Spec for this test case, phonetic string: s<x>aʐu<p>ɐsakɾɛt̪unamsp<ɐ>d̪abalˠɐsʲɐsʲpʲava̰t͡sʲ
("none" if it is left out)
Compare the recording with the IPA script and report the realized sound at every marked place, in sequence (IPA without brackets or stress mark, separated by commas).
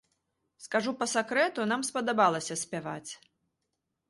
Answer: k, p, ɐ